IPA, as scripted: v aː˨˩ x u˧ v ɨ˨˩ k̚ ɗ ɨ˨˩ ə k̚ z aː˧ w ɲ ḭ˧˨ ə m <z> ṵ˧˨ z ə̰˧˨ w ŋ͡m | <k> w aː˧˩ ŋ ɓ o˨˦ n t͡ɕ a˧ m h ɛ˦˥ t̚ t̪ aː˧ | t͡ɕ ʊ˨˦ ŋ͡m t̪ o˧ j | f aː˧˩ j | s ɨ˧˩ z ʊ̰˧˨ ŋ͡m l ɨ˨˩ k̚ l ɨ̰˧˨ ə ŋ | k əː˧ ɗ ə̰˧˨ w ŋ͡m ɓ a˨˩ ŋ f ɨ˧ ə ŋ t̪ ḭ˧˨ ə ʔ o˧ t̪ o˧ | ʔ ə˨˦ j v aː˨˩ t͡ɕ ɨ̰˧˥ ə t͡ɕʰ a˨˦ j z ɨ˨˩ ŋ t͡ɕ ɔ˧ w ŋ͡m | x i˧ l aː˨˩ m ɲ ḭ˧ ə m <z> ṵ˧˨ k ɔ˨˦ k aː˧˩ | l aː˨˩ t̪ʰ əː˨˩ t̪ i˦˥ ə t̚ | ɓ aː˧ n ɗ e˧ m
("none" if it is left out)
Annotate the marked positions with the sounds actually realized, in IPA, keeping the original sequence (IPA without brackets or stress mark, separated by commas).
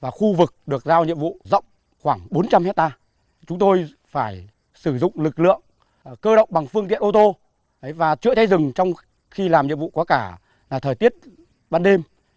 v, x, v